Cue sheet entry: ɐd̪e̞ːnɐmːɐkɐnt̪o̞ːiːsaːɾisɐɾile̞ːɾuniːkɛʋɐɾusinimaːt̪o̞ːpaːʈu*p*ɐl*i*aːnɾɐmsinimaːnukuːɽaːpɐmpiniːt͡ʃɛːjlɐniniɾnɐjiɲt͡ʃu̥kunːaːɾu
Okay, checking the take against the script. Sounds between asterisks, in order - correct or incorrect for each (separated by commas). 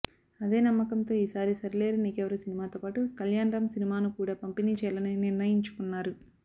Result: incorrect, incorrect